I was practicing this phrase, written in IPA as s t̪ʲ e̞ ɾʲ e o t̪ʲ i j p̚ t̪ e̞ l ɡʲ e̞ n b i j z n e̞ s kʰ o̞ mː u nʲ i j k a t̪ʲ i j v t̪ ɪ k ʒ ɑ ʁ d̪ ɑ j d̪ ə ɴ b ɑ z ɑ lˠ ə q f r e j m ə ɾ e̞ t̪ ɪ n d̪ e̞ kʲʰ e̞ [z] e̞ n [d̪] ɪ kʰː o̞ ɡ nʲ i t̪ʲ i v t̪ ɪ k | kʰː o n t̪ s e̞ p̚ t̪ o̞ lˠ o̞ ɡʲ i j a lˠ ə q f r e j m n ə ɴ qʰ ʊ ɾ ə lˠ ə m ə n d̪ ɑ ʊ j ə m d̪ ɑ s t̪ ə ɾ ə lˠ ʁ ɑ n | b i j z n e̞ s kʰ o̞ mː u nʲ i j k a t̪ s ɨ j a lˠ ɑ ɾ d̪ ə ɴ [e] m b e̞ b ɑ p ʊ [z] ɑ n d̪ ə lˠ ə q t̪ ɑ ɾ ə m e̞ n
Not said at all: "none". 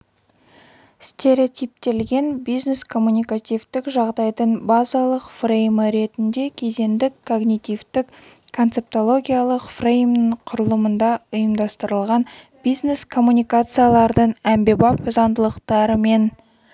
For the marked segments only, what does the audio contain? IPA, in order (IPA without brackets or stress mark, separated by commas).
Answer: z, d̪, æ, z